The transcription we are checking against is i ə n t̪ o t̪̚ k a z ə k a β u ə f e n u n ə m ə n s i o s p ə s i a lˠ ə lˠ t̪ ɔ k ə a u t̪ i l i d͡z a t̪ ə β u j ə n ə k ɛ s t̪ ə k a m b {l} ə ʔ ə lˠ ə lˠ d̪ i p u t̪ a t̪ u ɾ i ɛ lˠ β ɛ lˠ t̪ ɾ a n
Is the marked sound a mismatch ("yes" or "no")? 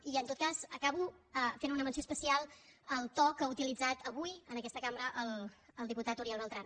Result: yes